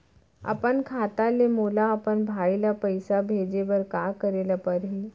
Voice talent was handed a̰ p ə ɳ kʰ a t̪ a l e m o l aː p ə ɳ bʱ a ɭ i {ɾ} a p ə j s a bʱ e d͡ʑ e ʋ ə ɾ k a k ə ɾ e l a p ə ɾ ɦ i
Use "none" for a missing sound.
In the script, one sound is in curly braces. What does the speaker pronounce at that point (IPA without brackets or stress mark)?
l